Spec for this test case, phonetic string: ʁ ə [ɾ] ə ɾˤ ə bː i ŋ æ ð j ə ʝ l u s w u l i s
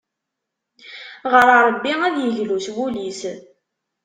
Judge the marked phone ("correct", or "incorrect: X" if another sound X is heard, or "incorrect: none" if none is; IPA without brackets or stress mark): correct